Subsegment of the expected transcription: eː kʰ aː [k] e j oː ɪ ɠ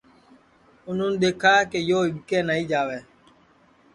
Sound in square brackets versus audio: correct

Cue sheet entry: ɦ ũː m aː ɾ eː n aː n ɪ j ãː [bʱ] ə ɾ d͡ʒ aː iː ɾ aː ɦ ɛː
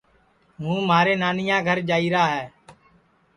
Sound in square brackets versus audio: incorrect: ɡʱ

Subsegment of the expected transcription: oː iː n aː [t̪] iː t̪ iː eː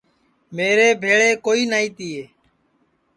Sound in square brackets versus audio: incorrect: none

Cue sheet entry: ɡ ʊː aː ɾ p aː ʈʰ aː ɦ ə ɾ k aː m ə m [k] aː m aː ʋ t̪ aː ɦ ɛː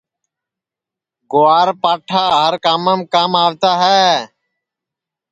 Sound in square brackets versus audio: correct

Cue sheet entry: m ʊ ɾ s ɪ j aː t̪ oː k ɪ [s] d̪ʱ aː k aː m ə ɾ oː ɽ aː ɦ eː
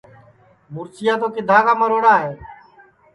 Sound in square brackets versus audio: incorrect: none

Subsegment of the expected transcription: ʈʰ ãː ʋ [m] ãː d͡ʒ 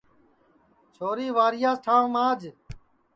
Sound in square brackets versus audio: correct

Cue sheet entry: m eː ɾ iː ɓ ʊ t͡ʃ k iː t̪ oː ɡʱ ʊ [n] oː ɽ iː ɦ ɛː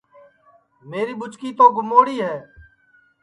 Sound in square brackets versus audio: incorrect: m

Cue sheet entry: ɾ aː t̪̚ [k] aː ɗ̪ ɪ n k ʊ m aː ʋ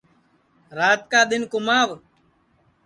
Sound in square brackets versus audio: correct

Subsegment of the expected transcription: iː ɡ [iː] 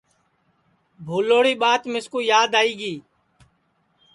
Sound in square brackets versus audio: correct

